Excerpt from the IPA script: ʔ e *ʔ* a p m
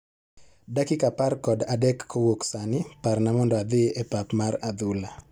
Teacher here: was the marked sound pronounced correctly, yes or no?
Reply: no